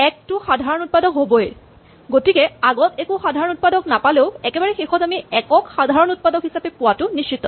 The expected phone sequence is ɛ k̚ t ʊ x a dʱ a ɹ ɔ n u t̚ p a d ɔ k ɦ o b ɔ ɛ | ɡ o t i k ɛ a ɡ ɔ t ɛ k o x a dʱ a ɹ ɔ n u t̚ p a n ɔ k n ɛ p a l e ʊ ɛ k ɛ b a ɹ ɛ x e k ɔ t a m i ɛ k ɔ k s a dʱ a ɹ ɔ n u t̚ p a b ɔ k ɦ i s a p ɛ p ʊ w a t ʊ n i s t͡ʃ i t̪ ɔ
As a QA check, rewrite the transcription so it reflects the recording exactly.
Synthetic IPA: ɛ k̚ t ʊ x a dʱ a ɹ ɔ n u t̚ p a d ɔ k ɦ o b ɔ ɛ | ɡ o t i k ɛ a ɡ ɔ t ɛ k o x a dʱ a ɹ ɔ n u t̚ p a d ɔ k n a p a l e ʊ ɛ k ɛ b a ɹ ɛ x e x ɔ t a m i ɛ k ɔ k x a dʱ a ɹ ɔ n u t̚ p a d ɔ k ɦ i s a p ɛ p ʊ w a t ʊ n i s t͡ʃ i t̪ ɔ

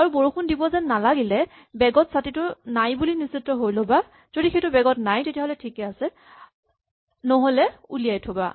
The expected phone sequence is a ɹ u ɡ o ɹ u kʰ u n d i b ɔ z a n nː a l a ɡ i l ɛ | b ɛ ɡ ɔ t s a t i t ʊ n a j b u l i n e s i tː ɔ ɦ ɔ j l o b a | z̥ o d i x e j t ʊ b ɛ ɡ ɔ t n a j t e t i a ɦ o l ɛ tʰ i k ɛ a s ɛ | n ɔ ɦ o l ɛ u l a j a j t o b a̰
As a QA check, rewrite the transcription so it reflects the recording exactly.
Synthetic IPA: a ɹ u b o ɹ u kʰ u n d i b ɔ z ɛ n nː a l a ɡ i l ɛ | b ɛ ɡ ɔ t s a t i t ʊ n a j b u l i n i s i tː ɔ ɦ o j l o b a | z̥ o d i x e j t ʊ b ɛ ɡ ɔ t n a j t e t i a ɦ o l ɛ tʰ i k ɛ a s ɛ | n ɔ ɦ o l ɛ u l i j a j tʰ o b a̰

